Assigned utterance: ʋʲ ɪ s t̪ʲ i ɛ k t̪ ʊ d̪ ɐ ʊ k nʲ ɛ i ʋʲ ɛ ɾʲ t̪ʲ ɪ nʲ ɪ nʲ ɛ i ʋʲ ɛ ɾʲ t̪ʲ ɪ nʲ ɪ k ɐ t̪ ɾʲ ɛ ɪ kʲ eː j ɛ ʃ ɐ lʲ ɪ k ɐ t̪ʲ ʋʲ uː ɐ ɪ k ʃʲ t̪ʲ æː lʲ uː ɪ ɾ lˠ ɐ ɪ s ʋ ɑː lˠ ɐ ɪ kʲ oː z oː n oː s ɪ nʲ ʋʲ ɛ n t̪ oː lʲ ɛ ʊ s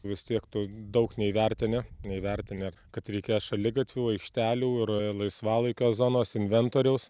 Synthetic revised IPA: ʋʲ ɪ s t̪ʲ i ɛ k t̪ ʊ d̪ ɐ ʊ k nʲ ɛ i ʋʲ ɛ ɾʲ t̪ʲ ɪ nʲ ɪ nʲ ɛ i ʋʲ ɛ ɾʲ t̪ʲ ɪ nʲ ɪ k ɐ t̪ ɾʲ ɛ ɪ kʲ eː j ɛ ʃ ɐ lʲ ɪ ɡ ɐ t̪ʲ ʋʲ uː ɐ ɪ k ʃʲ t̪ʲ æː lʲ uː ɪ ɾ lˠ ɐ ɪ s ʋ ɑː lˠ ɐ ɪ kʲ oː z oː n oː s ɪ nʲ ʋʲ ɛ n t̪ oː ɾʲ ɛ ʊ s